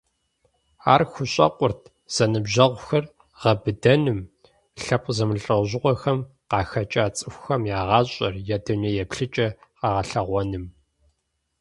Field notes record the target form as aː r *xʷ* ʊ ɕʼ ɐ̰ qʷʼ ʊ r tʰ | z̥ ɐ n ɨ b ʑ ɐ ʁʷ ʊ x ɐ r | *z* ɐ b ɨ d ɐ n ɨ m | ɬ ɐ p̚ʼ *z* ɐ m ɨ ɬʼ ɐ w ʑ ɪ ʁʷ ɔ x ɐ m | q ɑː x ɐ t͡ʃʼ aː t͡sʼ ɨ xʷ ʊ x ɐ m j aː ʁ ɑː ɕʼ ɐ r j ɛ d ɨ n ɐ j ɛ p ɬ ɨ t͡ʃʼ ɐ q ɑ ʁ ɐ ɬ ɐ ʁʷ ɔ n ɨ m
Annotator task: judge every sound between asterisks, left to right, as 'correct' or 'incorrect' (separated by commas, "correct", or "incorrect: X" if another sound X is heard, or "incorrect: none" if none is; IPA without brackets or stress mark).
correct, incorrect: ʁ, correct